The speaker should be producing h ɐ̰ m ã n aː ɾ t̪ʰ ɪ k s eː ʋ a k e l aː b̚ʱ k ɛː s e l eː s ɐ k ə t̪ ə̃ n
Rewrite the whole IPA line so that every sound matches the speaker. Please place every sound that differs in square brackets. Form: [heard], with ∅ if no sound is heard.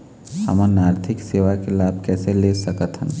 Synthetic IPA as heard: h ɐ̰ m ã n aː ɾ t̪ʰ ɪ k s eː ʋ a k e l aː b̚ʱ k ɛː s e l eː s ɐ k ə t̪ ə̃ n